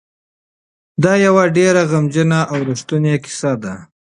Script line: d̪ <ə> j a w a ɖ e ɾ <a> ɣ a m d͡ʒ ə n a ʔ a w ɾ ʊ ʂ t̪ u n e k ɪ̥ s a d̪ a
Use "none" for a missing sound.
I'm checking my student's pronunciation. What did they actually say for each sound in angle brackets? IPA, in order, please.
ɑ, a

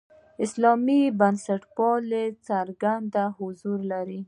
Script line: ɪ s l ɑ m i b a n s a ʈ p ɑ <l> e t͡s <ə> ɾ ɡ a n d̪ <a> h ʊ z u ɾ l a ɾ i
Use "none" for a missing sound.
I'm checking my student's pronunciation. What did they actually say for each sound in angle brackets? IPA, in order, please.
l, a, a

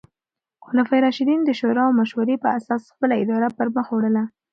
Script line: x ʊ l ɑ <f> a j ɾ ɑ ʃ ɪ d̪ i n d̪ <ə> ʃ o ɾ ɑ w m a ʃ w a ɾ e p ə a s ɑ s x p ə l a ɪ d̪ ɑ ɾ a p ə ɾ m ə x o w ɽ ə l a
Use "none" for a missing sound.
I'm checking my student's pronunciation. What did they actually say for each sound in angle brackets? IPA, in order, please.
f, ə

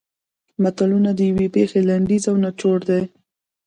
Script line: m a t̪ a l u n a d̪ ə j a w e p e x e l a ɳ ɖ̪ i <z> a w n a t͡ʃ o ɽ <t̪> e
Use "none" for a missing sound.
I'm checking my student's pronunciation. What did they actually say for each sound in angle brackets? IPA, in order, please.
z, d̪

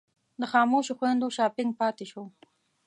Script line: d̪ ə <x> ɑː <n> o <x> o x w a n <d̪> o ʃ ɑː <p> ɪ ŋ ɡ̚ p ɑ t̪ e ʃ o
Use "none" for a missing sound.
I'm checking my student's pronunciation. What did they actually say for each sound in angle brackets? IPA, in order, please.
x, m, ʃ, d̪, p

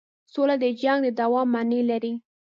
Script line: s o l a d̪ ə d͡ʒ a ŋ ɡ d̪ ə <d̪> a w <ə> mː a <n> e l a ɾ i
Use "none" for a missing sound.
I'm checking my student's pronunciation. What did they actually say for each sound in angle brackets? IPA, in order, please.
d̪, ɑ, n

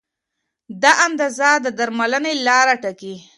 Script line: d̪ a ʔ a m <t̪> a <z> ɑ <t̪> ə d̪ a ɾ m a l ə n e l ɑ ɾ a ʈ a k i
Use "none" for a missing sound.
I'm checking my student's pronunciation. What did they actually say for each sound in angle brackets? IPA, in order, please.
d̪, z, d̪

